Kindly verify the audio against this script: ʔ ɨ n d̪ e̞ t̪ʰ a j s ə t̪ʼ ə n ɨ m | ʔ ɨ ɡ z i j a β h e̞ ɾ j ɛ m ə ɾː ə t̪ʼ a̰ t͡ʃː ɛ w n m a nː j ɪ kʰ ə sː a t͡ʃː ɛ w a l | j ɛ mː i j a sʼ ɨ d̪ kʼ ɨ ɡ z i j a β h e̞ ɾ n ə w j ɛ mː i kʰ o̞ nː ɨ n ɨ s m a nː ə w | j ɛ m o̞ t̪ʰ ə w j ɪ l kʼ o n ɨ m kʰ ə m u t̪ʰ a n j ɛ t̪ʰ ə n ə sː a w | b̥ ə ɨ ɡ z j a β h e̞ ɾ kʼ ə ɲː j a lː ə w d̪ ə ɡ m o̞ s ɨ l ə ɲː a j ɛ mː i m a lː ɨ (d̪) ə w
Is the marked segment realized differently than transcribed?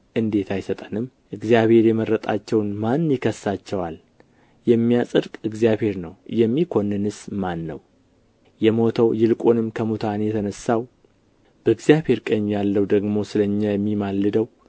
no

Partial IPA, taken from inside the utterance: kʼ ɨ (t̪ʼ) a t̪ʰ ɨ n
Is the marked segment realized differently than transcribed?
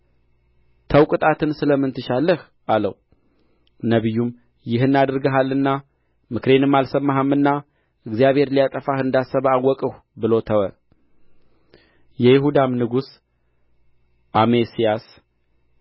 no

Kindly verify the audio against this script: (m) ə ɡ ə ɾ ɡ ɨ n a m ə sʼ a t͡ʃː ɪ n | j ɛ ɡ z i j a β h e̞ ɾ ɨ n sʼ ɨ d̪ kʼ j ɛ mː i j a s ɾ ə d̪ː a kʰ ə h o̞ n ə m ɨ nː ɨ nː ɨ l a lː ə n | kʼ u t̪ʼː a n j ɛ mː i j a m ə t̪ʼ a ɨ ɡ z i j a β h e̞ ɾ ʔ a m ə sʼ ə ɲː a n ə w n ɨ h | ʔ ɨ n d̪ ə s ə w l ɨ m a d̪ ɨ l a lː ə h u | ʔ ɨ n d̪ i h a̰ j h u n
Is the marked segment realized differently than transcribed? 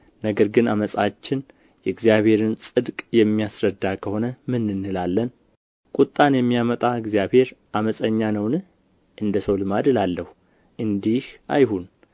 yes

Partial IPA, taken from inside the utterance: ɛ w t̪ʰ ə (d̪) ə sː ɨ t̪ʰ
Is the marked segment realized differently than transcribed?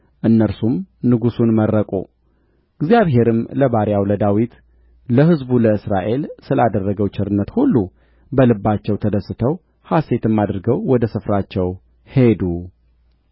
no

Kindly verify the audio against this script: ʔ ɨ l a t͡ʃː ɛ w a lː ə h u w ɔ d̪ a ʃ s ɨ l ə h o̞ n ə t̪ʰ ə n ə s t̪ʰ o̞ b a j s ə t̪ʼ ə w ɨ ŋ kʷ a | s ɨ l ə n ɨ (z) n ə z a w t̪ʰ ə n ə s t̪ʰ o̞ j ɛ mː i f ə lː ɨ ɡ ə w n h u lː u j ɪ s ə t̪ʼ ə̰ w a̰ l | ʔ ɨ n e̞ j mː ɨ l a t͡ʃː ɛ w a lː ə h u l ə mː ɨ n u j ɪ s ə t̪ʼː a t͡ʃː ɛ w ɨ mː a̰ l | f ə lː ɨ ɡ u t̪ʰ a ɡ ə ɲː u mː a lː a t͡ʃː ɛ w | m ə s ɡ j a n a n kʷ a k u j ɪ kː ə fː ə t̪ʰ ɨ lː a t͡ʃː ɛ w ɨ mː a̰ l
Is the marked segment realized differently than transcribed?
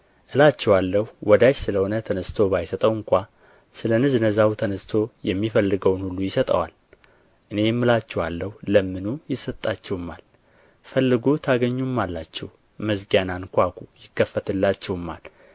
no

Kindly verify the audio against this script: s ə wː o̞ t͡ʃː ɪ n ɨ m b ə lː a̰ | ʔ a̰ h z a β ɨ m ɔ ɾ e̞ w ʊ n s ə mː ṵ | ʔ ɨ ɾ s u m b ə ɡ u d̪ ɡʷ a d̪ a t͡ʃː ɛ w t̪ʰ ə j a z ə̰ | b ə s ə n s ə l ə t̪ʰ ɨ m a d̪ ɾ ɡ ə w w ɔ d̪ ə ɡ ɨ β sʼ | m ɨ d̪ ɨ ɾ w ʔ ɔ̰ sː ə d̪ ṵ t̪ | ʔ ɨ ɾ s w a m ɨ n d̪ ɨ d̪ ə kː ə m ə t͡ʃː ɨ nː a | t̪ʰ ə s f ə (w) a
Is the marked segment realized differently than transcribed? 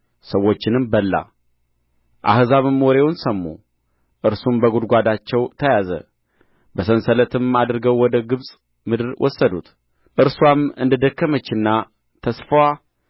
no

